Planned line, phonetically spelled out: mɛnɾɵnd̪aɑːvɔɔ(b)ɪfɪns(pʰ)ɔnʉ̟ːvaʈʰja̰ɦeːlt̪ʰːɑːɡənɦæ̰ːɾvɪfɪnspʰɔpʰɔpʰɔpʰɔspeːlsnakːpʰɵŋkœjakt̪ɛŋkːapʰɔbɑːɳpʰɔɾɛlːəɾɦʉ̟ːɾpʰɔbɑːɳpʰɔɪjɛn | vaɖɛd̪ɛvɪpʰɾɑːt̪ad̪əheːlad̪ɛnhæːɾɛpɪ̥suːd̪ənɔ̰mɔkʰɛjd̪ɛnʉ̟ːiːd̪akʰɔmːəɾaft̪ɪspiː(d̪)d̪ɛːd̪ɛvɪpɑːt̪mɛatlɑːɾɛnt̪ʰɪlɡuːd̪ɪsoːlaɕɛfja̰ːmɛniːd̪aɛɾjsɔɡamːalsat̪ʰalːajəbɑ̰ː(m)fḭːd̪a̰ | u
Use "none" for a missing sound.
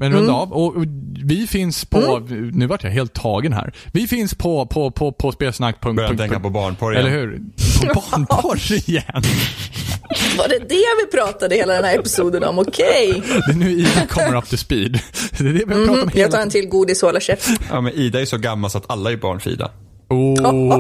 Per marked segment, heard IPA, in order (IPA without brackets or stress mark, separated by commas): v, pʰ, d̪, ɳ